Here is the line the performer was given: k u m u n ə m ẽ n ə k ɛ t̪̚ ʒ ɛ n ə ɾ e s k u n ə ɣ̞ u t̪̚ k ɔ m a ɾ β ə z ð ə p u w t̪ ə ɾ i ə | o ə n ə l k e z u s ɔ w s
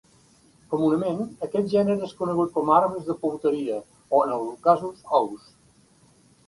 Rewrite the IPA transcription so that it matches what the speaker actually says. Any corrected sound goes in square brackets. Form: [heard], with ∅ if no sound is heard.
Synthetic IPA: k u m u n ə m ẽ n ə k ɛ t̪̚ ʒ ɛ n ə ɾ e s k u n ə ɣ̞ u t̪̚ k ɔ m a ɾ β ə z ð ə p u w t̪ ə ɾ i ə | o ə n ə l k [a] z u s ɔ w s